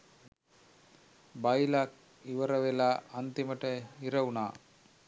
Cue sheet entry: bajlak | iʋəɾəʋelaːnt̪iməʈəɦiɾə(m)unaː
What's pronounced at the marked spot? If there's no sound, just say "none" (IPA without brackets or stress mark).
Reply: none